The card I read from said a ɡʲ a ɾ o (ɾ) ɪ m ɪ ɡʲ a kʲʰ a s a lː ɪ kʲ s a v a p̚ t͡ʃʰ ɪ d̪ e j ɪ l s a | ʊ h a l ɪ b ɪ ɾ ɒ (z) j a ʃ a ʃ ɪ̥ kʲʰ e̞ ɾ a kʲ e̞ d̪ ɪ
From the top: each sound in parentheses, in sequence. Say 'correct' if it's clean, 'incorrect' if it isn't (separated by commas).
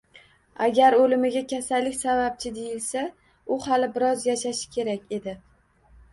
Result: incorrect, correct